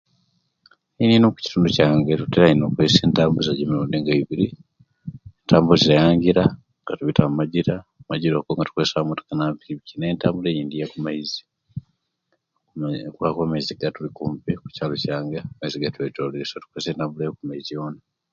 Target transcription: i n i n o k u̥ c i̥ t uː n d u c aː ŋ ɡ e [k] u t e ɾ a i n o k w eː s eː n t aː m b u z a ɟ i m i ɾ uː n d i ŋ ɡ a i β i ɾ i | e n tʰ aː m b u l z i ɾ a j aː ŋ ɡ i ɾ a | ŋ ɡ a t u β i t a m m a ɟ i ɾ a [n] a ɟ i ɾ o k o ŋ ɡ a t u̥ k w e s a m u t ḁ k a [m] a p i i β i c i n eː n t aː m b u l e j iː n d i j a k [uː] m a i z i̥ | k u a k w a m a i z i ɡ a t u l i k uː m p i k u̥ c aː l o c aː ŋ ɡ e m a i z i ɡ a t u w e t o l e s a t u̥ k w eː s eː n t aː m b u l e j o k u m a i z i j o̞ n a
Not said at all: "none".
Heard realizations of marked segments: t, m, n, u

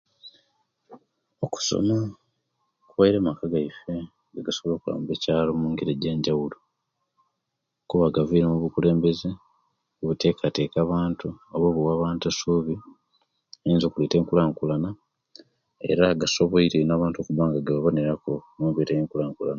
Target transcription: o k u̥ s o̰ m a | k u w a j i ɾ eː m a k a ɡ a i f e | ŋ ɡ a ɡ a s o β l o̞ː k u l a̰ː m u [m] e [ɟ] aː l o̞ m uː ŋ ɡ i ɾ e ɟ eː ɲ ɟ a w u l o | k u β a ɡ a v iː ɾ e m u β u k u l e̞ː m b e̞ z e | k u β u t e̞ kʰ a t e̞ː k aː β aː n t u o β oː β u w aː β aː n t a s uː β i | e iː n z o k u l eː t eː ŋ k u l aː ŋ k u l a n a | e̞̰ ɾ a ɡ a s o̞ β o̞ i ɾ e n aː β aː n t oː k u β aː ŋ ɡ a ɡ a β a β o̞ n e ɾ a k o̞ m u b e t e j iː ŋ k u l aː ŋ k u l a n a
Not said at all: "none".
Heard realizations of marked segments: b, c

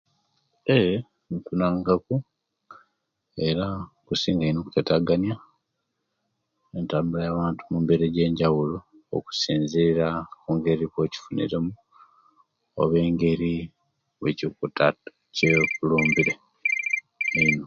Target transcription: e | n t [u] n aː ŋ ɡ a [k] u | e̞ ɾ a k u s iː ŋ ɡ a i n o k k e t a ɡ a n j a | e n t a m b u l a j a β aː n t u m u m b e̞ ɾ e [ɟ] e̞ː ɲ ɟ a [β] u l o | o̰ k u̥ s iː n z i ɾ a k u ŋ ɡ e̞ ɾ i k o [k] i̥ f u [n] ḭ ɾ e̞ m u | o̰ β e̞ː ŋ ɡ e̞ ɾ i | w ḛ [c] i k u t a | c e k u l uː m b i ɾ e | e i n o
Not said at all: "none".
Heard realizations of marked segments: u, k, ɟ, w, c, n, c

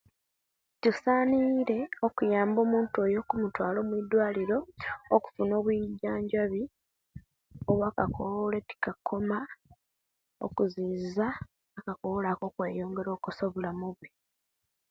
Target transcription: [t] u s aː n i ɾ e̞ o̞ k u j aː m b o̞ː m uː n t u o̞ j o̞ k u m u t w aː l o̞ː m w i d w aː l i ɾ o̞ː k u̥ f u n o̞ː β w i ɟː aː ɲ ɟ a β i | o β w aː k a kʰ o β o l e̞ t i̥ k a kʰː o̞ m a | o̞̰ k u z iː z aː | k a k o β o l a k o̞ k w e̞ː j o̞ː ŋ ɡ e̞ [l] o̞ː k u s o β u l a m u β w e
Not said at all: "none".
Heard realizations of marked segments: t, ɾ

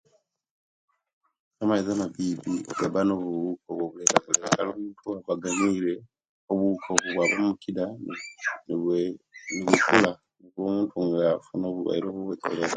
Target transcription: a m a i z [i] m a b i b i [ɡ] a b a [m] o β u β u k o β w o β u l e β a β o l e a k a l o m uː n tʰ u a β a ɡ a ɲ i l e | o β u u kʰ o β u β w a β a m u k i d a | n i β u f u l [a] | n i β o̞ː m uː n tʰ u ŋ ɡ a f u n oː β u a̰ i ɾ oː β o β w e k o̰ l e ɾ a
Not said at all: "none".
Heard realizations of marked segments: a, ɡ, n, a

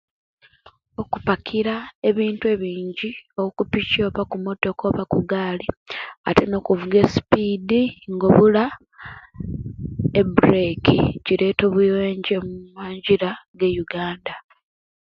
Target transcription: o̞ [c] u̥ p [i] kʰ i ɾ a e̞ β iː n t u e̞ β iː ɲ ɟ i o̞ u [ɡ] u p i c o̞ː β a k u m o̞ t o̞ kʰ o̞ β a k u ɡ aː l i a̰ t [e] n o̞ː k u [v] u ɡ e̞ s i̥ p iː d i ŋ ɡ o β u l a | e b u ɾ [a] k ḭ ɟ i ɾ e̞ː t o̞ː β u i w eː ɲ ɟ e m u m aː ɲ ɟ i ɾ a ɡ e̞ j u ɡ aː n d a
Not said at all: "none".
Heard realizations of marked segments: k, a, k, e, v, e

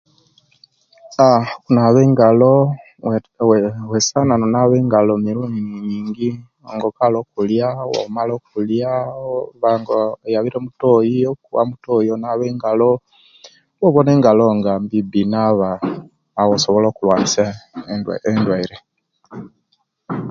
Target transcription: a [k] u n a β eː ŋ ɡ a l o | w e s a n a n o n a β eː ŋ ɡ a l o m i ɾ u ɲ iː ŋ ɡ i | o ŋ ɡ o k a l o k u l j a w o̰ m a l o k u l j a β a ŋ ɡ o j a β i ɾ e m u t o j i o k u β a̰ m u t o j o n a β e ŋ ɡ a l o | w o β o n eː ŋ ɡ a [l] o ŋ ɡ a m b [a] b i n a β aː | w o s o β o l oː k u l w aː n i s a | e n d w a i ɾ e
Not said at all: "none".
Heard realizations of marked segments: k, l, i

